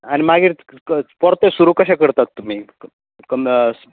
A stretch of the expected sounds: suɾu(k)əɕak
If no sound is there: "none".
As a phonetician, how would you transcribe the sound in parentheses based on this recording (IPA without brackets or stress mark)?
k